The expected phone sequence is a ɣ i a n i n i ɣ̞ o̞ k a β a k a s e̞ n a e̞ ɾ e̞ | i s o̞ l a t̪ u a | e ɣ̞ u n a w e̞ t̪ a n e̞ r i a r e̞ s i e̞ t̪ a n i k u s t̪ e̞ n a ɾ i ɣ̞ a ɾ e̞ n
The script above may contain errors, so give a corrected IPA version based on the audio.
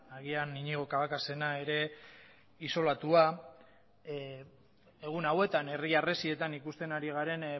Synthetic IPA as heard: a ɣ i a n i ɲ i ɣ̞ o̞ k a β a k a s e̞ n a e̞ ɾ e̞ | i s o̞ l a t̪ u a | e ɣ̞ u n a w e̞ t̪ a n e̞ r i a r e̞ s i e̞ t̪ a n i k u s t̪ e̞ n a ɾ i ɣ̞ a ɾ e̞ n